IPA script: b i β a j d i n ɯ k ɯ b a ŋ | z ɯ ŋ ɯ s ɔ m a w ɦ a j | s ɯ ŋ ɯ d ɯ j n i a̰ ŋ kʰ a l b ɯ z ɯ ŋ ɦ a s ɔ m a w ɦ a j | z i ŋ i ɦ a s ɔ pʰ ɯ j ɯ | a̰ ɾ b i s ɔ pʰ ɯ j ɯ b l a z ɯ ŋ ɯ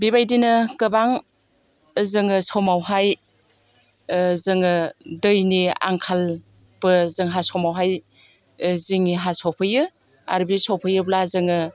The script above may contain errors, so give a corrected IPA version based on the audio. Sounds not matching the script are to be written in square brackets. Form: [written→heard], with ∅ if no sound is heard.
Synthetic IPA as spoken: b i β a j d i n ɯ k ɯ b a ŋ | z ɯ ŋ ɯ s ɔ m a w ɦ a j | [s→z] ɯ ŋ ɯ d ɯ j n i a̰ ŋ kʰ a l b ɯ z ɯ ŋ ɦ a s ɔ m a w ɦ a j | z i ŋ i ɦ a s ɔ pʰ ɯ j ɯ | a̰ ɾ b i s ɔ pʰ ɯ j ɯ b l a z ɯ ŋ ɯ